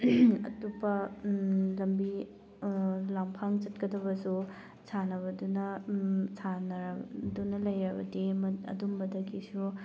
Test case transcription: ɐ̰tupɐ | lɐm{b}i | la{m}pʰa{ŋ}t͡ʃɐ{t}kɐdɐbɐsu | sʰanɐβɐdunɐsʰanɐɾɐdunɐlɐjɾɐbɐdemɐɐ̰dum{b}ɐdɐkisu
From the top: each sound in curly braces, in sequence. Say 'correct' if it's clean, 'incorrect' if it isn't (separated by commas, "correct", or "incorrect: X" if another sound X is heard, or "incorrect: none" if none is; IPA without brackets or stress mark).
correct, correct, correct, correct, correct